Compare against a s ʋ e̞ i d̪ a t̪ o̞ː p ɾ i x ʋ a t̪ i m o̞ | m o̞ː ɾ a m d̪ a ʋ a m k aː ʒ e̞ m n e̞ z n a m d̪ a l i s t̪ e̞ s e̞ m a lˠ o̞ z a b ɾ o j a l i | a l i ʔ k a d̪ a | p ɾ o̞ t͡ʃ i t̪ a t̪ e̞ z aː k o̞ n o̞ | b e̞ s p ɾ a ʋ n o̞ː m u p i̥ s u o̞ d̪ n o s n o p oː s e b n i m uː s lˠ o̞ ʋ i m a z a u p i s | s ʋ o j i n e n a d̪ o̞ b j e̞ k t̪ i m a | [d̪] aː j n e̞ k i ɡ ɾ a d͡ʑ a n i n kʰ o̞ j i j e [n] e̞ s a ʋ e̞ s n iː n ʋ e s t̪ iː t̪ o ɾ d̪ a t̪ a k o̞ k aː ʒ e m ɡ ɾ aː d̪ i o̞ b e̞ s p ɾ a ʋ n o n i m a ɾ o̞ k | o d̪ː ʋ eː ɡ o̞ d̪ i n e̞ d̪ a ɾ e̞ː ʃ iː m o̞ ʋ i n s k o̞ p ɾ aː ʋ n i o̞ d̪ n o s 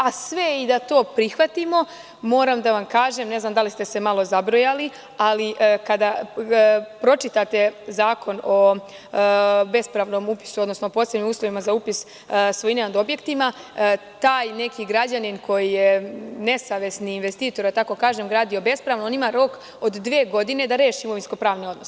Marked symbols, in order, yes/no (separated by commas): no, yes